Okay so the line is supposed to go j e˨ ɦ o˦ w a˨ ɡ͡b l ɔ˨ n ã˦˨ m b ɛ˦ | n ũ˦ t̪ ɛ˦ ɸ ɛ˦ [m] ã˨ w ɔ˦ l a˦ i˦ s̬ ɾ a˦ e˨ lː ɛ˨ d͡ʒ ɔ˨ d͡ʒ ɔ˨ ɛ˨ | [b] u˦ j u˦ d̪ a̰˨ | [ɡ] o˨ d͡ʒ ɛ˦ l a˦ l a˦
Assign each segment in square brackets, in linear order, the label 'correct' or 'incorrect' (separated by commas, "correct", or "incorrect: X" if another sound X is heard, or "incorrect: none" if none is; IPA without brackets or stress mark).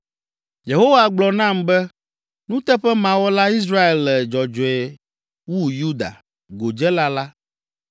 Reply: correct, incorrect: w, correct